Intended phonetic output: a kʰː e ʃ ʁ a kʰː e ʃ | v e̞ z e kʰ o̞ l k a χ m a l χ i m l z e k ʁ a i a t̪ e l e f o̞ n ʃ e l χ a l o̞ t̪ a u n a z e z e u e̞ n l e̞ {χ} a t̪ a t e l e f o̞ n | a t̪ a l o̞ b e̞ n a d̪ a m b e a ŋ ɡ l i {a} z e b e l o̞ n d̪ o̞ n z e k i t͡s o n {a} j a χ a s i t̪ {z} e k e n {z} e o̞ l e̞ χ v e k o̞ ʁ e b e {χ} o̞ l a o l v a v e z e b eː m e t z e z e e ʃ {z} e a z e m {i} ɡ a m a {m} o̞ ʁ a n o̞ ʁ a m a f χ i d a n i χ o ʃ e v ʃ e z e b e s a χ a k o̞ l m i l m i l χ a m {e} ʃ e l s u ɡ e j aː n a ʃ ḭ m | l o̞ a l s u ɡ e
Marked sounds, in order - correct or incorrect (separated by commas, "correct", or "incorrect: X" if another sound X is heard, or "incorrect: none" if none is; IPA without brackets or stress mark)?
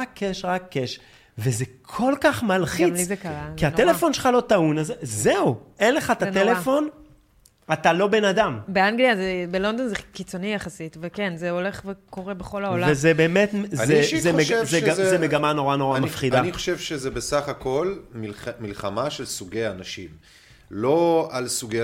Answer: correct, correct, incorrect: i, incorrect: v, correct, correct, correct, incorrect: e, incorrect: n, incorrect: a